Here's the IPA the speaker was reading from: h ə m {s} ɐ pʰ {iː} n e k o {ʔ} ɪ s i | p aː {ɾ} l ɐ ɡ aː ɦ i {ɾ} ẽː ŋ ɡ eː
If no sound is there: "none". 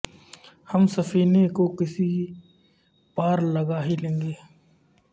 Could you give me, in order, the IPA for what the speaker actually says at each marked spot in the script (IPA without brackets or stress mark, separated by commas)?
s, iː, k, ɾ, l